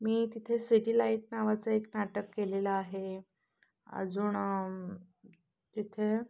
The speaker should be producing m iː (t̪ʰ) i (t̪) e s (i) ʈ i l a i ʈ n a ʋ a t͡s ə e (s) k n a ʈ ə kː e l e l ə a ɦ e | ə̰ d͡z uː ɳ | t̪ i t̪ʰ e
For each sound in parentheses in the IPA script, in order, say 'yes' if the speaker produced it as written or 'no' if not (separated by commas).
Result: no, no, yes, no